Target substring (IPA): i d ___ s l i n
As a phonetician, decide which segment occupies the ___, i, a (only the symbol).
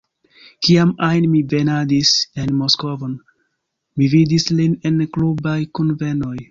i